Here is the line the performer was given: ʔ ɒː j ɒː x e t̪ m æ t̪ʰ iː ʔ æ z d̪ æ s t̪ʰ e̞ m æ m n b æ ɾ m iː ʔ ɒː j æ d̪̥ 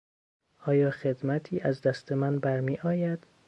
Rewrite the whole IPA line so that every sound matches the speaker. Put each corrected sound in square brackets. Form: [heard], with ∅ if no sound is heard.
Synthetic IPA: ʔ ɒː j ɒː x e [d̪] m æ t̪ʰ iː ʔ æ z d̪ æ s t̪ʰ e̞ m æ [∅] n b æ ɾ m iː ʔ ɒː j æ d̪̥